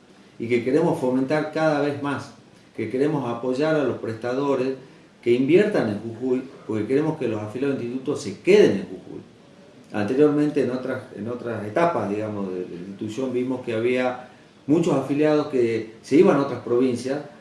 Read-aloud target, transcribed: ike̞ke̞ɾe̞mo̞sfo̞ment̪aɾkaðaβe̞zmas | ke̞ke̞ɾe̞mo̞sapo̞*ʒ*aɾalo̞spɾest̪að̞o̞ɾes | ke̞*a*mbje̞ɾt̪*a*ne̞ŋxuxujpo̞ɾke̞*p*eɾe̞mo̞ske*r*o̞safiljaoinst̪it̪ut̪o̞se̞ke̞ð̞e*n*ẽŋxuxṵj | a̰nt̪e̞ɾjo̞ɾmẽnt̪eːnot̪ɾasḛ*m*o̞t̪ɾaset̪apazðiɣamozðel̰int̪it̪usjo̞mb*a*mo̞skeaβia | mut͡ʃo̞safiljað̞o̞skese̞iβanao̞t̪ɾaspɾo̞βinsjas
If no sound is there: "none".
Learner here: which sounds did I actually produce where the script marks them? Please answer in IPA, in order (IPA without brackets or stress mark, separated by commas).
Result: ʒ, i, a, k, l, n, n, i